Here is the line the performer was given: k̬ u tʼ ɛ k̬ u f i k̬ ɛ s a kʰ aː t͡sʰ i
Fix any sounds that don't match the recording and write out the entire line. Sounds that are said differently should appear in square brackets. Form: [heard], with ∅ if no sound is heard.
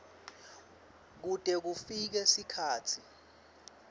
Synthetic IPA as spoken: k̬ u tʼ ɛ k̬ u f i k̬ ɛ s [i] kʰ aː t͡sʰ i